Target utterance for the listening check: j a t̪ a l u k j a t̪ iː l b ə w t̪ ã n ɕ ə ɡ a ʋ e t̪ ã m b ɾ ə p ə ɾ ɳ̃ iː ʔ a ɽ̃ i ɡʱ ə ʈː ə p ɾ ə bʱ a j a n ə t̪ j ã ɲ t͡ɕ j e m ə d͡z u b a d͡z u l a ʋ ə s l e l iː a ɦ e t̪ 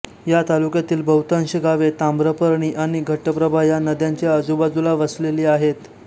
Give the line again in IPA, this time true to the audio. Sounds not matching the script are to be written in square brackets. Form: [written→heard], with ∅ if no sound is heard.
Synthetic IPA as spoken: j a t̪ a l u k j a t̪ iː l b ə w t̪ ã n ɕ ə ɡ a ʋ e t̪ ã m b ɾ ə p ə ɾ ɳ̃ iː ʔ a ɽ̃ i ɡʱ ə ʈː ə p ɾ ə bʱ a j a n ə [t̪→d̪] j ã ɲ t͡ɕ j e [m→∅] ə d͡z u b a d͡z u l a ʋ ə s l e l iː a ɦ e t̪